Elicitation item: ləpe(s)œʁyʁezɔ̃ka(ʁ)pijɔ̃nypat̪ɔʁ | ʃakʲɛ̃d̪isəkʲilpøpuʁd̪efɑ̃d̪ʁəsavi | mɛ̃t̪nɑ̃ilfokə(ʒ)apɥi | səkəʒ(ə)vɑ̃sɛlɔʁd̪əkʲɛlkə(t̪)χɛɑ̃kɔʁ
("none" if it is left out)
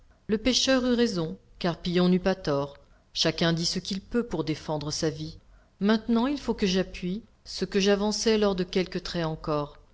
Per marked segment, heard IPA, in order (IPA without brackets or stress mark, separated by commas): ʃ, ʁ, ʒ, a, t̪